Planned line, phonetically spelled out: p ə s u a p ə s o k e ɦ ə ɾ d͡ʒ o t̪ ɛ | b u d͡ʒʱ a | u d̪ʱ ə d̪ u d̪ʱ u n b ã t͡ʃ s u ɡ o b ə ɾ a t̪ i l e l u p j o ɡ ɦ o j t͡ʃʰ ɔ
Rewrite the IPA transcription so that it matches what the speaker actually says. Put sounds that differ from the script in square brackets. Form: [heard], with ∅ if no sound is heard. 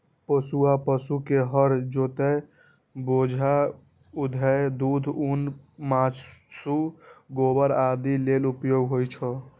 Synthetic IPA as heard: p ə s u a p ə s [u] k e ɦ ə ɾ d͡ʒ o t̪ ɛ | b [o] d͡ʒʱ a | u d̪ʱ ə d̪ u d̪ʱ u n [m] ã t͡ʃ s u ɡ o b ə ɾ a [d̪] i l e l u p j o ɡ ɦ o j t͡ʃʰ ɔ

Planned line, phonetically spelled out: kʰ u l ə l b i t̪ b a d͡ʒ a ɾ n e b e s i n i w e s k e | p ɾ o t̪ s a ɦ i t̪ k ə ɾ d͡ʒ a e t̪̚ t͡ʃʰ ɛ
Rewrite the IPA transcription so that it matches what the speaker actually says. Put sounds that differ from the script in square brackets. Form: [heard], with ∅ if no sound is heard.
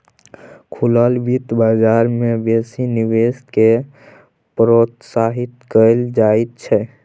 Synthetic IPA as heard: kʰ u l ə l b i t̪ b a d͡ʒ a ɾ [m] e b e s i n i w e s k e | p ɾ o t̪ s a ɦ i t̪ k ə [l] d͡ʒ a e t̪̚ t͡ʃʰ ɛ

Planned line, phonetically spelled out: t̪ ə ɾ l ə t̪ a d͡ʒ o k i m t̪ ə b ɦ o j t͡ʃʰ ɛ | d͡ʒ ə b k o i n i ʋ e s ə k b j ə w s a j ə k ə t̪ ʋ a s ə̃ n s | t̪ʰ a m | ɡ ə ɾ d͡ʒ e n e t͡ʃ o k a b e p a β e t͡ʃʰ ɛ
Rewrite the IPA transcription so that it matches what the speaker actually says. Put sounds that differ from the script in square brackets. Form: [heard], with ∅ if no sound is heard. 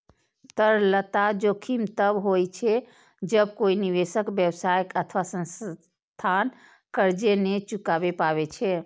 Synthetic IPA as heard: t̪ ə ɾ l ə t̪ a d͡ʒ o [kʰ] i m t̪ ə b ɦ o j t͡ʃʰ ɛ | d͡ʒ ə b k o i n i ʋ e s ə k b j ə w s a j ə k ə [t̪ʰ] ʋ a s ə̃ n s | t̪ʰ a [n] | [k] ə ɾ d͡ʒ e n e t͡ʃ [u] k a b e p a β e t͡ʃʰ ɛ

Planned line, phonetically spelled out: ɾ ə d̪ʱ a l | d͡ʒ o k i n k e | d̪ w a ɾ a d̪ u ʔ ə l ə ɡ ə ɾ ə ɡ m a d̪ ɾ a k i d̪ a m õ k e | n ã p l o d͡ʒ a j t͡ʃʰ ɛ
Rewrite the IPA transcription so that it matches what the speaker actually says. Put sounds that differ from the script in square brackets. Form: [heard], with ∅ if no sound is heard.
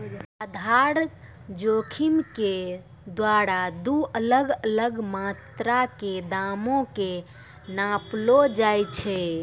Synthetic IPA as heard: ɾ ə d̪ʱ a [ɾ] | d͡ʒ o [kʰ] i [m] k e | d̪ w a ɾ a d̪ u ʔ ə l ə ɡ ə [l] ə ɡ m a [t̪] ɾ a k [e] d̪ a m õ k e | n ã p l o d͡ʒ a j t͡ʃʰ ɛ

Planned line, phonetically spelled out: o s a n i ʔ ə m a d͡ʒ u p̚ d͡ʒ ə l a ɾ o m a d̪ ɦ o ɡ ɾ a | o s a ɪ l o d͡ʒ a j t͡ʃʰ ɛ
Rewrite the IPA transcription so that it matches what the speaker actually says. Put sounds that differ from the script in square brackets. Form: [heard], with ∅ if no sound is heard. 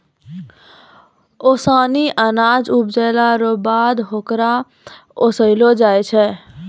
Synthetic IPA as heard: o s a n i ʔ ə [n] a d͡ʒ u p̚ d͡ʒ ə l a ɾ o [b] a d̪ ɦ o [k] ɾ a | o s [ə] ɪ l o d͡ʒ a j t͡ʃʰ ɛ

